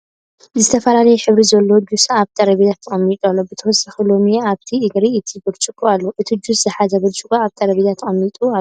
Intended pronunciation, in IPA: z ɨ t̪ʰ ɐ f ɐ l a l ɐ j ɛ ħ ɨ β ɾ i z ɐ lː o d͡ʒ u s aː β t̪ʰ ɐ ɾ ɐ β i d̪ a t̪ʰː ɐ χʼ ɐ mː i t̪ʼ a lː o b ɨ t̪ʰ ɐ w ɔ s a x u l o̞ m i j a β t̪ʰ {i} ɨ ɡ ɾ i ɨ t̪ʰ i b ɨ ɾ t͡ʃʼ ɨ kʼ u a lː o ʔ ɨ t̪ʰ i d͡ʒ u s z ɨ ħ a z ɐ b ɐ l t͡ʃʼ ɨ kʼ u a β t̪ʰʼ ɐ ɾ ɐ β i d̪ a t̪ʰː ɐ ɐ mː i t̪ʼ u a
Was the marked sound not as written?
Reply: no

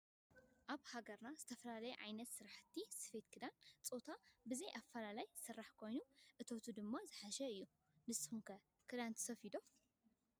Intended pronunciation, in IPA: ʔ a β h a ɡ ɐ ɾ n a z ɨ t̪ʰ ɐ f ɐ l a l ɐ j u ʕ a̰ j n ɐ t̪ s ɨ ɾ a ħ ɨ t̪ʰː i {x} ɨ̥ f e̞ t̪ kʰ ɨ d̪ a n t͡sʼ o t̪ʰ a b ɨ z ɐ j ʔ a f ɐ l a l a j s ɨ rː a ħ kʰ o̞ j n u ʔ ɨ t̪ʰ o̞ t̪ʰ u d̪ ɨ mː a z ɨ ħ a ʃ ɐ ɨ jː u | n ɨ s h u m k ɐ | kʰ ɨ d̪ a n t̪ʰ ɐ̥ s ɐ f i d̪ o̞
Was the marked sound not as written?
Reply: yes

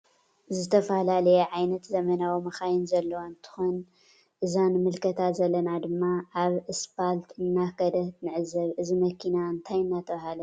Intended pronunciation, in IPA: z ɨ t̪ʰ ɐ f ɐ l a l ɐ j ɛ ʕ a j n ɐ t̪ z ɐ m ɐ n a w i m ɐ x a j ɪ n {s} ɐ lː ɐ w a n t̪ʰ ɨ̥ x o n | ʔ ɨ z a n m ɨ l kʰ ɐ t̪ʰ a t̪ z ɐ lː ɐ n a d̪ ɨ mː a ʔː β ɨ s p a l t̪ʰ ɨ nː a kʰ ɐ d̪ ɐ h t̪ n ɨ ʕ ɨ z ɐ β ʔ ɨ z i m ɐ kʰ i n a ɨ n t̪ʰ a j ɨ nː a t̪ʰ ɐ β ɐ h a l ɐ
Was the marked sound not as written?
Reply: yes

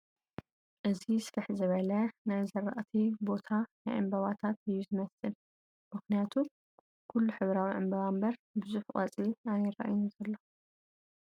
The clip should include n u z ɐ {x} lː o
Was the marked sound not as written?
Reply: yes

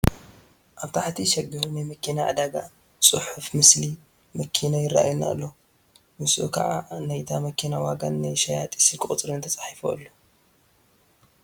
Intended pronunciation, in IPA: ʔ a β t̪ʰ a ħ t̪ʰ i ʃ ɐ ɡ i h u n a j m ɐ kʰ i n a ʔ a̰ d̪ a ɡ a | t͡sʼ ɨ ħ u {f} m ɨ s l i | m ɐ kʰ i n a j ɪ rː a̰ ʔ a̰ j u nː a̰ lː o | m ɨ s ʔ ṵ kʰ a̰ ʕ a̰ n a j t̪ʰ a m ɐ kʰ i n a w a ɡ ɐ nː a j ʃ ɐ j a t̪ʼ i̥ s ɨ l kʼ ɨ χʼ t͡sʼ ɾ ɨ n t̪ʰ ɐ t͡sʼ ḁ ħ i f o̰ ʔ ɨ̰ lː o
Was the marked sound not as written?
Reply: no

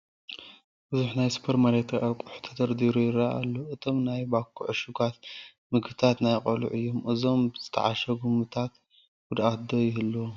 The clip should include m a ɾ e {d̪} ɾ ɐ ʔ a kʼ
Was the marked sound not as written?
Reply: yes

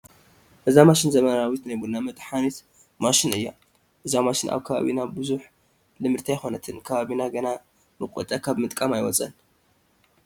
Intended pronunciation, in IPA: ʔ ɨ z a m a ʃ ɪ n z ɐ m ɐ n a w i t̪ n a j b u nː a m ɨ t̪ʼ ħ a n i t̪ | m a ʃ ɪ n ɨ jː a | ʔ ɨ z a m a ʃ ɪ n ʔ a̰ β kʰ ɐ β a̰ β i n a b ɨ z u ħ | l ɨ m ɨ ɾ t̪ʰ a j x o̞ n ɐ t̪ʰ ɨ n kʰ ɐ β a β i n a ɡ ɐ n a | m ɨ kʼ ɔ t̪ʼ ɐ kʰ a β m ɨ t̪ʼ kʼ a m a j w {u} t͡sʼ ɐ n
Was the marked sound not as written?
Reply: yes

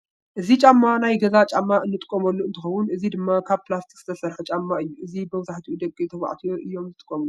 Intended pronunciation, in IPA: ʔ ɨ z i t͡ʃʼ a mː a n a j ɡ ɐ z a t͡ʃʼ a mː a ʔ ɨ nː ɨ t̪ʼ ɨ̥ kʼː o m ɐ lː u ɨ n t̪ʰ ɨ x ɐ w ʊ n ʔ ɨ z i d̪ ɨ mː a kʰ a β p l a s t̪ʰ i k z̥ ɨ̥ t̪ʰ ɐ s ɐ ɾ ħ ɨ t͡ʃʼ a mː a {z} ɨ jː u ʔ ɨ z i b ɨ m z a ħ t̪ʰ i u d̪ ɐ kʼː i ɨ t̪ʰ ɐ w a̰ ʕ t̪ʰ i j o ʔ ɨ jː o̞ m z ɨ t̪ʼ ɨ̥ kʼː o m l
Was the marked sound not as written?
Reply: yes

